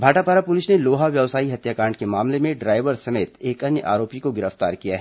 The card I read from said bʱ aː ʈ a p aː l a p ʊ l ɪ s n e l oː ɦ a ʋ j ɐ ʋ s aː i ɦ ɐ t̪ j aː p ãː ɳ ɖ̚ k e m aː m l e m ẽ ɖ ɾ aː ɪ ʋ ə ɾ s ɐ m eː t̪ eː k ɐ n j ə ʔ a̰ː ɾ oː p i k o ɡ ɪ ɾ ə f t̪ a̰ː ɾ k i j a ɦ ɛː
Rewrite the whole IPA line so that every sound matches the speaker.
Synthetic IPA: bʱ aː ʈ a p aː ɾ a p ʊ l ɪ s n e l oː ɦ a ʋ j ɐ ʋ s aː i ɦ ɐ t̪ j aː k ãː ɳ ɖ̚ k e m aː m l e m ẽ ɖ ɾ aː ɪ ʋ ə ɾ s ɐ m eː t̪ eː k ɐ n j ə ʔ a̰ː ɾ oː p i k o ɡ ɪ ɾ ə f t̪ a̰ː ɾ k i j a ɦ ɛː